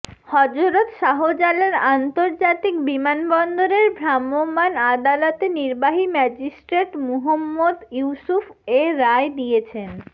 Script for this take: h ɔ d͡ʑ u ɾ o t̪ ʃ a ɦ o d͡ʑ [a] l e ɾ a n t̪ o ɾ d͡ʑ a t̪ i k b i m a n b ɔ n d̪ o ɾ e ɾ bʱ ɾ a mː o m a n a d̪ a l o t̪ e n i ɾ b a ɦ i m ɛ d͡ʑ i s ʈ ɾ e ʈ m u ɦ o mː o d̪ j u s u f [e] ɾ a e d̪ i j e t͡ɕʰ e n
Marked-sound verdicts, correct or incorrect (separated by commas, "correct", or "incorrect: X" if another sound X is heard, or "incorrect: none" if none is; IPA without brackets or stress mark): correct, correct